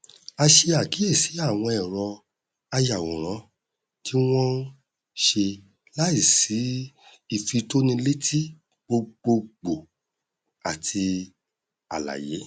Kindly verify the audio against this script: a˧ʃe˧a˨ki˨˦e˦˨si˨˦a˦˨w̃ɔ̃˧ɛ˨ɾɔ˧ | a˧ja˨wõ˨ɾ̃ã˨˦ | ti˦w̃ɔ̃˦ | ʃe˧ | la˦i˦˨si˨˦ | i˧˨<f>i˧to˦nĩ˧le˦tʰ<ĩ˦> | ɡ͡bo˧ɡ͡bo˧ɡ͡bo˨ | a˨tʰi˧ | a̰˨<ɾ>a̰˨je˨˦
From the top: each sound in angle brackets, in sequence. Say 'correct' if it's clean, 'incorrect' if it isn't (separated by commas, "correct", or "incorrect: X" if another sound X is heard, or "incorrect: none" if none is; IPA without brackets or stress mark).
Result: correct, incorrect: i˦, incorrect: l